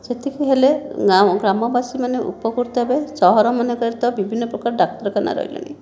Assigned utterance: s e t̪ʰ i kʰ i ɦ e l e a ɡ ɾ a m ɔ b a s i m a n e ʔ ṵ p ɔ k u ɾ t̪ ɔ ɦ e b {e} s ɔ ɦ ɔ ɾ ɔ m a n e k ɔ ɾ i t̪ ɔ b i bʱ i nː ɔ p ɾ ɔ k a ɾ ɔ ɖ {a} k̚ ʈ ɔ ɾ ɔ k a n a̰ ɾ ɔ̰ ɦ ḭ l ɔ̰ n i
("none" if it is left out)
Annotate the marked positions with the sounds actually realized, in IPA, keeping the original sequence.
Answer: e, a

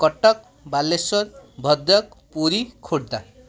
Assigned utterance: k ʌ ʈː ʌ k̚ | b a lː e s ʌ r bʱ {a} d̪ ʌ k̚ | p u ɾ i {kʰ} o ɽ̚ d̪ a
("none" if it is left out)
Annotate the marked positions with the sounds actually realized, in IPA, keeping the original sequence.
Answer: ʌ, kʰ

